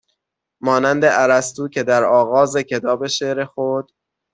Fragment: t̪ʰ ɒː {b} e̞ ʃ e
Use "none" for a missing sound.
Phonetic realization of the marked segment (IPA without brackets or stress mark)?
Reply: b